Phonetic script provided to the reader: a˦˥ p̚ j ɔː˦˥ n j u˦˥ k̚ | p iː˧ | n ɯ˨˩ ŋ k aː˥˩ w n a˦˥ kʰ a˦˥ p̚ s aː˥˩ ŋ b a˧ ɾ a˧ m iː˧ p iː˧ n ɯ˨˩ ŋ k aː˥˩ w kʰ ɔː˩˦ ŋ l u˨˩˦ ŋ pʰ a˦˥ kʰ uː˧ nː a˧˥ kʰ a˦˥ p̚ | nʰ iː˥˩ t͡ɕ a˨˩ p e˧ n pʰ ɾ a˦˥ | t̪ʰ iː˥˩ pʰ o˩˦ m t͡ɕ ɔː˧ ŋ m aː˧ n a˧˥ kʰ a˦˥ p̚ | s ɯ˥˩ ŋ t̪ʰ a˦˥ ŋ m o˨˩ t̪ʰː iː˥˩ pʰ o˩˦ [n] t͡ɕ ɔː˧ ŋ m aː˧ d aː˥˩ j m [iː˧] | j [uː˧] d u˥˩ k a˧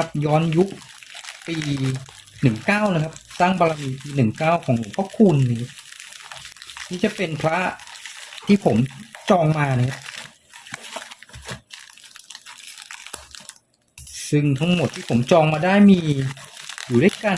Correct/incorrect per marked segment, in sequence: incorrect: m, correct, incorrect: uː˨˩

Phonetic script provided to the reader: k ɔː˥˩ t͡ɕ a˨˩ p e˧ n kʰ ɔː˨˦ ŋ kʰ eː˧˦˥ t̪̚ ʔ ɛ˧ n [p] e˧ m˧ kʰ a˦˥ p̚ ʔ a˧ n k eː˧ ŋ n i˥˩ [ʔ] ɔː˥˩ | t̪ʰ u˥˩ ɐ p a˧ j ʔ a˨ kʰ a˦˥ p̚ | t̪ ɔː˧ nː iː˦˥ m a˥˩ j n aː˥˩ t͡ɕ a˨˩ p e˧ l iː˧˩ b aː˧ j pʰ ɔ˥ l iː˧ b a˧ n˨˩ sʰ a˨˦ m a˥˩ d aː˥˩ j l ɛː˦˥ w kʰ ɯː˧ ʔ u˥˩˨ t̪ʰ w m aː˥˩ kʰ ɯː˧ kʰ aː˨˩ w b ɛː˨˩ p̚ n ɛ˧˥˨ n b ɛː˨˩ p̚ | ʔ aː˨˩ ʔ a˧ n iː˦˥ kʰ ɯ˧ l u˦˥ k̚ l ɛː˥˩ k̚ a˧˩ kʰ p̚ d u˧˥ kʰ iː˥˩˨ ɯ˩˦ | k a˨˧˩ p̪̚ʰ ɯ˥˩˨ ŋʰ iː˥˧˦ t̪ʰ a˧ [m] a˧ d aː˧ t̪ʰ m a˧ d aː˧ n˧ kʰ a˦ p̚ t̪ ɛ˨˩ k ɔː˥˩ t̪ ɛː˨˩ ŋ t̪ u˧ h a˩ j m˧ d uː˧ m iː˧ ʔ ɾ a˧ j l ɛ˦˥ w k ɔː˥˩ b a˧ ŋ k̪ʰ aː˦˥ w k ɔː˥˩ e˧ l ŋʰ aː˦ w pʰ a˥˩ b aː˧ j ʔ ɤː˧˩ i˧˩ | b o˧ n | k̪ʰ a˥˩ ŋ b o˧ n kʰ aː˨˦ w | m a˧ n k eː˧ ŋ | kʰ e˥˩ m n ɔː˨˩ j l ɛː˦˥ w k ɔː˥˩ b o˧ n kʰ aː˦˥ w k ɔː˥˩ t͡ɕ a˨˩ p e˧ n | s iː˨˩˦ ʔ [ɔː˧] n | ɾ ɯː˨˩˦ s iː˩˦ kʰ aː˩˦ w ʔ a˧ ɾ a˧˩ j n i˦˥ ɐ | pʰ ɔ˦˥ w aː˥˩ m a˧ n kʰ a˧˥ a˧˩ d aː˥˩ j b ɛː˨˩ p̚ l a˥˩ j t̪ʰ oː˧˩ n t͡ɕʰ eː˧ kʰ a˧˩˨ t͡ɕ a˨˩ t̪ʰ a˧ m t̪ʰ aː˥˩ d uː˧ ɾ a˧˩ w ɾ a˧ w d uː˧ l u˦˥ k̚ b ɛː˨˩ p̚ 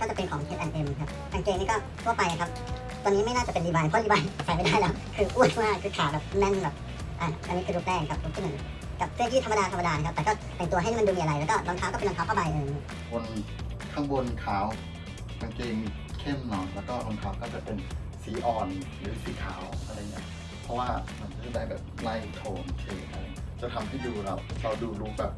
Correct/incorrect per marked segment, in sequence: incorrect: ʔ, incorrect: k, correct, incorrect: ɔː˨˩

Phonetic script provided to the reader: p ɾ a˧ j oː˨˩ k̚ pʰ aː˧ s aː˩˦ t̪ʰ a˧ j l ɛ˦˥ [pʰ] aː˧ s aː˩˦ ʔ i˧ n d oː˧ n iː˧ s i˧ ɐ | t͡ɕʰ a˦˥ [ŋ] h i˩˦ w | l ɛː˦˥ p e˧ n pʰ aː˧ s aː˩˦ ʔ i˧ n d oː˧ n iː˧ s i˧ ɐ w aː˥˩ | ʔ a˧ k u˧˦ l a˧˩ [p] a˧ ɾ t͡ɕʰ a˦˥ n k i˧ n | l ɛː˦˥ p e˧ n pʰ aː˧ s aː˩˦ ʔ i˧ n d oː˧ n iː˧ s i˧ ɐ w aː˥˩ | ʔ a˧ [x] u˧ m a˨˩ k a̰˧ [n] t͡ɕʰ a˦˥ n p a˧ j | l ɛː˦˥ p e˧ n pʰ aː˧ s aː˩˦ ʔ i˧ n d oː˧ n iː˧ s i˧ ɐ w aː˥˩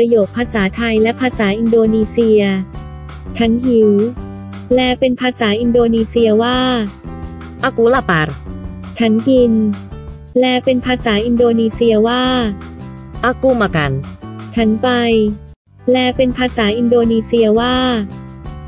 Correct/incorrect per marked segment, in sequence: correct, incorrect: n, correct, incorrect: k, correct

